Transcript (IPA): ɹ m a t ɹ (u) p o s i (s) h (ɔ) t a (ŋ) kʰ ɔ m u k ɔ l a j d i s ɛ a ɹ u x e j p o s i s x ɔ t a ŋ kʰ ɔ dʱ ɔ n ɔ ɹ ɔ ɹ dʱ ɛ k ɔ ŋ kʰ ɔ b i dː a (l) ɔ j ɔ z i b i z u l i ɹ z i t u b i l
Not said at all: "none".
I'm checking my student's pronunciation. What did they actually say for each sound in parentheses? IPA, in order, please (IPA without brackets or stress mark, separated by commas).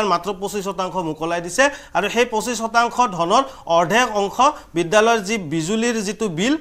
ɔ, s, ɔ, ŋ, l